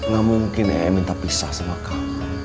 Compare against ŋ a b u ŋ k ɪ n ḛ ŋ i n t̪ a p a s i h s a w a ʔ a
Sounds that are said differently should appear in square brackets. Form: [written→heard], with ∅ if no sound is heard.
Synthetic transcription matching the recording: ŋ a [b→m] u ŋ k ɪ n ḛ [ŋ→m] i n t̪ a p [a→i] s [i→a] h s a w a [ʔ→k] a